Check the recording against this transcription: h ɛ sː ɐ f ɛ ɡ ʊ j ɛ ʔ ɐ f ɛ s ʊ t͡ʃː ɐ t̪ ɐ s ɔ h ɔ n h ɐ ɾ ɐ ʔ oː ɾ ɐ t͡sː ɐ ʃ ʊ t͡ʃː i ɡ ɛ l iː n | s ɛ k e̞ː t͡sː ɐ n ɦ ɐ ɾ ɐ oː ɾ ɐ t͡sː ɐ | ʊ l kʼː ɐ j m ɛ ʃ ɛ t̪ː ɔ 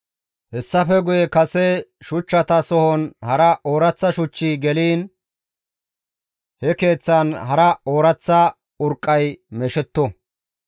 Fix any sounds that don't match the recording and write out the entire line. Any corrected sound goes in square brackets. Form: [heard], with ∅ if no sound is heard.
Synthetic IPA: h ɛ sː ɐ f ɛ ɡ ʊ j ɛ [k] ɐ [s] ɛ [ʃ] ʊ t͡ʃː ɐ t̪ ɐ s ɔ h ɔ n h ɐ ɾ ɐ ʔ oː ɾ ɐ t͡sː ɐ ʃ ʊ t͡ʃː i ɡ ɛ l iː n | [h] ɛ k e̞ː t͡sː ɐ n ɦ ɐ ɾ ɐ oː ɾ ɐ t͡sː ɐ | ʊ [ɾ] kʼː ɐ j m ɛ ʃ ɛ t̪ː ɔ